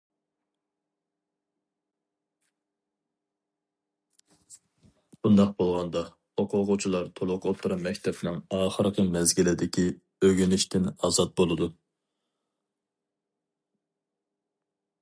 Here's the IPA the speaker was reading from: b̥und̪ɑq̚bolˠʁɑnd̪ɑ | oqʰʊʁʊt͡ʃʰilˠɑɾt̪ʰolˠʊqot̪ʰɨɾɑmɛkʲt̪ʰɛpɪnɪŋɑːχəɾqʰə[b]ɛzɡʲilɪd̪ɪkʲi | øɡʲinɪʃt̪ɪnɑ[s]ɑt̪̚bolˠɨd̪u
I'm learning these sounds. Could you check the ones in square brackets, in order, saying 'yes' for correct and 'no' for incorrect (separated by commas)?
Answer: no, no